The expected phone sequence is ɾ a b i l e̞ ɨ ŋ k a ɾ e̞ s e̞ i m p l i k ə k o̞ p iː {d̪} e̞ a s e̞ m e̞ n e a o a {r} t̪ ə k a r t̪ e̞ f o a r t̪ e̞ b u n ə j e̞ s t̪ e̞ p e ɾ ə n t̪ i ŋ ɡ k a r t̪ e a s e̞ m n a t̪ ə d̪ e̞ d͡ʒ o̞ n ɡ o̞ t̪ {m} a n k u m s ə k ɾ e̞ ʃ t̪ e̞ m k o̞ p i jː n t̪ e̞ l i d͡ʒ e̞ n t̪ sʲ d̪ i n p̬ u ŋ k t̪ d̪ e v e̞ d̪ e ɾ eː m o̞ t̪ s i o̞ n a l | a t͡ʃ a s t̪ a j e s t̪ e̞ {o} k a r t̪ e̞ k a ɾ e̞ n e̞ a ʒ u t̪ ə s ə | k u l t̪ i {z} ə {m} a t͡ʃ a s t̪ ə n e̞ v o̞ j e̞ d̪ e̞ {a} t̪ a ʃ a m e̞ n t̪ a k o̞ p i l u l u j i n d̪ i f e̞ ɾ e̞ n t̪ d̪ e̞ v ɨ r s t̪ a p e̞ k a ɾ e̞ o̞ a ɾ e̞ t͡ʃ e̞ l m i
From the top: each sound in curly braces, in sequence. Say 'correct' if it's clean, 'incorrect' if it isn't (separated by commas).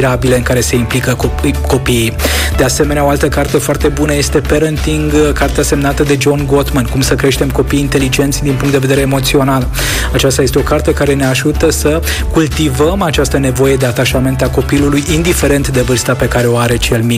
correct, incorrect, correct, correct, incorrect, correct, correct